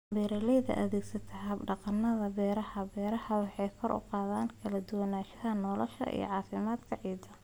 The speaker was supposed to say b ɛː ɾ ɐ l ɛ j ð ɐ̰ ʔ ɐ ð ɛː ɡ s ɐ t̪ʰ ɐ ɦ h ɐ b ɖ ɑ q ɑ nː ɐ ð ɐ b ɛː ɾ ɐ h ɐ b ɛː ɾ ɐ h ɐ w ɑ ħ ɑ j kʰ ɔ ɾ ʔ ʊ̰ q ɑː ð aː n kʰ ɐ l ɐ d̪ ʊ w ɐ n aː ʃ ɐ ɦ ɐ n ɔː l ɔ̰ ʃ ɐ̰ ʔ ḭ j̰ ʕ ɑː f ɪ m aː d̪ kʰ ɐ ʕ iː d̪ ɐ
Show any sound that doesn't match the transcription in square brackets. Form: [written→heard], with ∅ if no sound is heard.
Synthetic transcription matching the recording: b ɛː ɾ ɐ l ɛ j ð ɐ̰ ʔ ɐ ð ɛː ɡ s ɐ t̪ʰ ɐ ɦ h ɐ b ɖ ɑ q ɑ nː ɐ ð ɐ b ɛː ɾ ɐ h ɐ b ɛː ɾ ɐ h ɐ w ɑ ħ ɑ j kʰ ɔ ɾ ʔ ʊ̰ q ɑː ð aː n kʰ ɐ l ɐ d̪ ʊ w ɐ n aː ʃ ɐ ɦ ɐ n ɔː l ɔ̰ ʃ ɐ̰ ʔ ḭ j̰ ʕ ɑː f ɪ m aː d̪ kʰ ɐ ʕ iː d̪ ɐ